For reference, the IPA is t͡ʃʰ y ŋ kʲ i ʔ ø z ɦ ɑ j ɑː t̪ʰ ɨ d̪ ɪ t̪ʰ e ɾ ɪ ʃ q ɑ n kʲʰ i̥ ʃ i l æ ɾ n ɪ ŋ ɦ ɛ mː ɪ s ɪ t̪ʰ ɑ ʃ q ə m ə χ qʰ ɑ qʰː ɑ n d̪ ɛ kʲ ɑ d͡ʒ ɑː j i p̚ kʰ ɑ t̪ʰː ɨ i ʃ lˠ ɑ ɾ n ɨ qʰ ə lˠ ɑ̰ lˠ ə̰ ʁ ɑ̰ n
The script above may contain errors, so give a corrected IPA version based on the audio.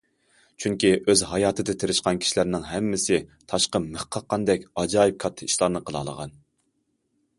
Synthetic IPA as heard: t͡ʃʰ y ŋ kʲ i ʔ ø z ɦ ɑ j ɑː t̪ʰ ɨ d̪ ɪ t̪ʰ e ɾ ɪ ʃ q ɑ n kʲʰ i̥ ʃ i l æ ɾ n ɪ ŋ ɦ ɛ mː ɪ s ɪ t̪ʰ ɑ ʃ q ə m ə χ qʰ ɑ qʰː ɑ n d̪ ɛ kʲ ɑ d͡ʒ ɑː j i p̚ kʰ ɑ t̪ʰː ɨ i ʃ lˠ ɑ ɾ n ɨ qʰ ə lˠ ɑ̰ lˠ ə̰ ʁ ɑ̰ n